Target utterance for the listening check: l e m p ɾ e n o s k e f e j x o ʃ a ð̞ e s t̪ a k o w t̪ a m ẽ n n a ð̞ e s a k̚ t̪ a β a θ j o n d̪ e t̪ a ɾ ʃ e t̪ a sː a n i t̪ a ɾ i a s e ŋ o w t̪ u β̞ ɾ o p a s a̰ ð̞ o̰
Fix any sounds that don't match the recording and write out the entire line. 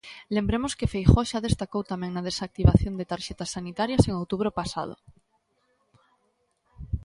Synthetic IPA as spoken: l e m b ɾ e m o s k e f e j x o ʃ a ð̞ e s t̪ a k o w t̪ a m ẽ ŋ n a ð̞ e s a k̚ t̪ i β a θ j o n d̪ e t̪ a ɾ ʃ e t̪ a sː a n i t̪ a ɾ j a s e ŋ o w t̪ u β̞ ɾ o p a s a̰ ð̞ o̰